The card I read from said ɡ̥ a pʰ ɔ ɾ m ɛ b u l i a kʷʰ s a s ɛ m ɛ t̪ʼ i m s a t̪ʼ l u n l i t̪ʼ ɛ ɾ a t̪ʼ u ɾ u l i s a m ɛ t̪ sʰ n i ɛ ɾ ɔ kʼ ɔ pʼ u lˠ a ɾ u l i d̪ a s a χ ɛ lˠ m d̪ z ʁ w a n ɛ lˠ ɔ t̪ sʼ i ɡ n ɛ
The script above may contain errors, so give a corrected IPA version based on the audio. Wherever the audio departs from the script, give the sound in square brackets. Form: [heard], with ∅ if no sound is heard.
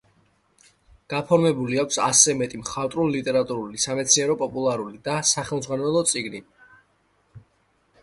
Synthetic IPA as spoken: ɡ̥ a pʰ ɔ ɾ m ɛ b u l i a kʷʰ s a s ɛ m ɛ t̪ʼ i m [χ] a t̪ʼ [ɾ] u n l i t̪ʼ ɛ ɾ a t̪ʼ u ɾ u l i s a m ɛ t̪ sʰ n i ɛ ɾ ɔ [pʼ] ɔ pʼ u lˠ a ɾ u l i d̪ a s a χ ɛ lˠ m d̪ z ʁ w a n ɛ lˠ ɔ t̪ sʼ i ɡ n [i]

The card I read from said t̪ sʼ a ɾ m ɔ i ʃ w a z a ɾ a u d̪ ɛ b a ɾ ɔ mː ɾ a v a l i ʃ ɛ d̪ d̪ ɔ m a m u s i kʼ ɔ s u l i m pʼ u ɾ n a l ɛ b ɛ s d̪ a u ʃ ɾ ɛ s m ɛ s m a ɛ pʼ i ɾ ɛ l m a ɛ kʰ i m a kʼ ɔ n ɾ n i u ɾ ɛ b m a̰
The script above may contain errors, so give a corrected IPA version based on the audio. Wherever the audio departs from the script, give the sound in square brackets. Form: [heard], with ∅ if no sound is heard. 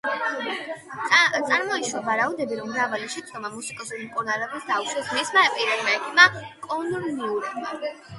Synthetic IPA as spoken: t̪ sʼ a ɾ m ɔ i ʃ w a [v] a ɾ a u d̪ ɛ b [i] ɾ ɔ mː ɾ a v a l i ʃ ɛ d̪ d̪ ɔ m a m u s i kʼ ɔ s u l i m [kʼ] u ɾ n a l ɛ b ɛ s d̪ a u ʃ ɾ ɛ s m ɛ s m a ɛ pʼ i ɾ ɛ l m a ɛ kʰ i m a kʼ ɔ n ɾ n i u ɾ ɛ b m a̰

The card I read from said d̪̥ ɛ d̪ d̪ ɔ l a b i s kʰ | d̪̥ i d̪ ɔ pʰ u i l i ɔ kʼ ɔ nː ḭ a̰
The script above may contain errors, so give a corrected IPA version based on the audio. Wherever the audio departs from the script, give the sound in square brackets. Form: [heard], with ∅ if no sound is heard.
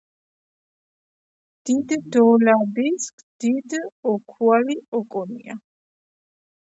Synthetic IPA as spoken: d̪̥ [i] d̪ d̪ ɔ l a b i s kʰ | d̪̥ i d̪ ɔ [kʰ] u [a] l i ɔ kʼ ɔ [n] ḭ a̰

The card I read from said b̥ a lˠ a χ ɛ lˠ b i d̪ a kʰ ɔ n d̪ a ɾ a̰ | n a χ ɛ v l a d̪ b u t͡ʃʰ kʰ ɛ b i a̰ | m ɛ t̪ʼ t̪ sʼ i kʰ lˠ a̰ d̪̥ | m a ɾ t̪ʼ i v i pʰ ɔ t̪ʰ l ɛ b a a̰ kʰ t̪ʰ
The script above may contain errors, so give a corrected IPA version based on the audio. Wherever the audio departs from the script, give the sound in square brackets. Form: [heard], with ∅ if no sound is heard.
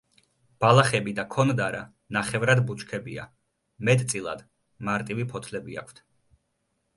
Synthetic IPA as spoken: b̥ a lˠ a χ ɛ [∅] b i d̪ a kʰ ɔ n d̪ a ɾ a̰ | n a χ ɛ v [ɾ] a d̪ b u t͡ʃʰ kʰ ɛ b i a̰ | m ɛ t̪ʼ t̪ sʼ i [∅] lˠ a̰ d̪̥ | m a ɾ t̪ʼ i v i pʰ ɔ t̪ʰ l ɛ b [i] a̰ kʰ t̪ʰ

